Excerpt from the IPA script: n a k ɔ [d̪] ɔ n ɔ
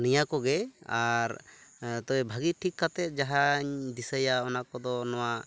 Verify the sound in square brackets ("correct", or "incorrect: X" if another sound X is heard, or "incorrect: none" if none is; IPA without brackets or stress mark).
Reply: correct